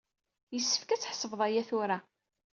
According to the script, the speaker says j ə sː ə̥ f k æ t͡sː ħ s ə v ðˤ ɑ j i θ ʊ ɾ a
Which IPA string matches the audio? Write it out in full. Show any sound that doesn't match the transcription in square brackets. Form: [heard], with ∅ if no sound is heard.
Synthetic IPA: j ə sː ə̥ f k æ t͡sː ħ s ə v ðˤ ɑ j [æ] θ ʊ ɾ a